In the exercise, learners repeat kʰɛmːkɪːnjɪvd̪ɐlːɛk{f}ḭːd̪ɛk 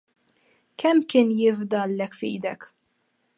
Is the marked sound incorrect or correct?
correct